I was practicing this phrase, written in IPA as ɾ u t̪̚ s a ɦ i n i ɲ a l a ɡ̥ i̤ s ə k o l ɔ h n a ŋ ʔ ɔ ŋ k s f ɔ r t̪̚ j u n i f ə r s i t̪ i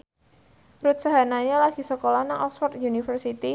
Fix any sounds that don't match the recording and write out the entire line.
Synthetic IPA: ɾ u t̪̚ s a ɦ a n a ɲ a l a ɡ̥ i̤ s ə k o l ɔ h n a ŋ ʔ ɔ k s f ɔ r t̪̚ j u n i f ə r s i t̪ i